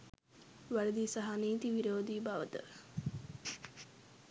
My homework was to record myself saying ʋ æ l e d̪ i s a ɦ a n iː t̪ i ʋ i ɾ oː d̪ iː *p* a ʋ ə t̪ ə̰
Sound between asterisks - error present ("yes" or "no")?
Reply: yes